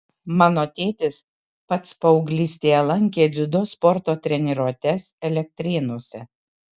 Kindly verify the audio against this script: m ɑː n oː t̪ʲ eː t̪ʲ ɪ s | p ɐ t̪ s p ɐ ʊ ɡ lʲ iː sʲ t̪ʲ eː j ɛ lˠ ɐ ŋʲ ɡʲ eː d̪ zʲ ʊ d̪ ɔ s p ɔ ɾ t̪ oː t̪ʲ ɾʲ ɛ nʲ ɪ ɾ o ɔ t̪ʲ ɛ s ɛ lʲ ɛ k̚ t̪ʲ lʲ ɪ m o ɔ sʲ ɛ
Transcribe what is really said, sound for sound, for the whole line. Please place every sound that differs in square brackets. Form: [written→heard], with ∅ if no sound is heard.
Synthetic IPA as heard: m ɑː n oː t̪ʲ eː t̪ʲ ɪ s | p ɐ t̪ s p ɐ ʊ ɡ lʲ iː sʲ t̪ʲ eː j ɛ lˠ ɐ ŋʲ [ɡʲ→kʲ] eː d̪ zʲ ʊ d̪ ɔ s p ɔ ɾ t̪ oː t̪ʲ ɾʲ ɛ nʲ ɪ ɾ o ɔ t̪ʲ ɛ s ɛ lʲ ɛ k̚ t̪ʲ [lʲ→ɾʲ] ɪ [m→n] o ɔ sʲ ɛ